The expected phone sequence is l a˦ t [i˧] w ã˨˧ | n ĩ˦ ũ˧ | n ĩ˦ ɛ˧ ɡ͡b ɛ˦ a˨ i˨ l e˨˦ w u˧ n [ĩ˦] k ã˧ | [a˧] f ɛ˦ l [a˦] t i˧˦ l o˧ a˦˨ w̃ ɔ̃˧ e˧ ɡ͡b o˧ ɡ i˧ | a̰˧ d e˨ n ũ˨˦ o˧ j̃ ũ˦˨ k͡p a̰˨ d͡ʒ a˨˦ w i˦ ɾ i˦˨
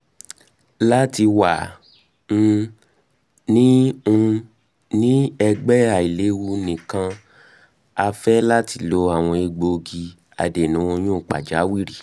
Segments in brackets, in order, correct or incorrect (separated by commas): correct, incorrect, correct, correct